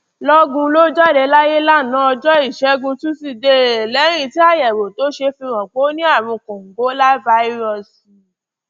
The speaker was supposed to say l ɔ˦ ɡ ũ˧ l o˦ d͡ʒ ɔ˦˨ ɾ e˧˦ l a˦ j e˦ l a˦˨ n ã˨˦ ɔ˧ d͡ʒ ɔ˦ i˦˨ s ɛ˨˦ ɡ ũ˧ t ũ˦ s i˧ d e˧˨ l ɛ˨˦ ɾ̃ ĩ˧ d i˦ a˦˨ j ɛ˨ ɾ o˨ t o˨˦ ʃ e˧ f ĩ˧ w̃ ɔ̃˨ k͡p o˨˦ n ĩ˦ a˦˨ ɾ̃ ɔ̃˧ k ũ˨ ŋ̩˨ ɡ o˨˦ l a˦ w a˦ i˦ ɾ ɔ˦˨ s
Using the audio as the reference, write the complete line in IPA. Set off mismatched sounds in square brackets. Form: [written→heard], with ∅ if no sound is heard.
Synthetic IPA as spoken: l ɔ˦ ɡ ũ˧ l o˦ d͡ʒ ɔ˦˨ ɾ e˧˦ l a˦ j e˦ l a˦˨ n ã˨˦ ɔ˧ d͡ʒ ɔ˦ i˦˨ [s→ʃ] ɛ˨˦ ɡ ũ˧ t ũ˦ s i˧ d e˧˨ l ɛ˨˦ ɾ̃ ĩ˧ [d→t] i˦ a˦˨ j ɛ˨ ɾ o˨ t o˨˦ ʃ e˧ f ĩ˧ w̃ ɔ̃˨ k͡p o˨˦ n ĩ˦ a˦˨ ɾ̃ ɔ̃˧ k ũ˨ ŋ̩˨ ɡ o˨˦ l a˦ [w→v] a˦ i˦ ɾ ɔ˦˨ s